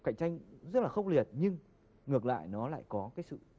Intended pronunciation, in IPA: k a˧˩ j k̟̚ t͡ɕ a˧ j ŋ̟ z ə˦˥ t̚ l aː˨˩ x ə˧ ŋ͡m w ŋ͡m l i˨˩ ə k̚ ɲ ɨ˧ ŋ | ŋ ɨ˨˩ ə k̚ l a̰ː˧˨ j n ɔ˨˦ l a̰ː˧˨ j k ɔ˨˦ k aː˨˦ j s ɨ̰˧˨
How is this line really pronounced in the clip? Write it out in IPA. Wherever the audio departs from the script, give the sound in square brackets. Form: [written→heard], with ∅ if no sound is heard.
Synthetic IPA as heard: k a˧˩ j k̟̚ t͡ɕ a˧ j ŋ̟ z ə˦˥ t̚ l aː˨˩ x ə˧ [ŋ͡m→∅] w ŋ͡m l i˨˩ ə [k̚→t̚] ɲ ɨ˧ ŋ | ŋ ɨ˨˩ ə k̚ l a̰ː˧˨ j n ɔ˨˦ l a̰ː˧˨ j k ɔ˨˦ k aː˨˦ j s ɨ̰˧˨